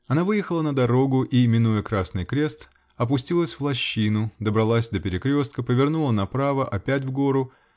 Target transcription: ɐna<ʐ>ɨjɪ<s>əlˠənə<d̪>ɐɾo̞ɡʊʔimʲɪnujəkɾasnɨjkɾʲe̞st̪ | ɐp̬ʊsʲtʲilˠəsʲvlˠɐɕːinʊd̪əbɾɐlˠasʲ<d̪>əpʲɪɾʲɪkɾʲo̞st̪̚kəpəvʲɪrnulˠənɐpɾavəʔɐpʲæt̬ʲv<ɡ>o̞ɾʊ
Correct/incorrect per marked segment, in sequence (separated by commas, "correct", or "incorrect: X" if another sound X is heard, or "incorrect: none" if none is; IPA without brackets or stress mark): incorrect: v, incorrect: x, correct, correct, correct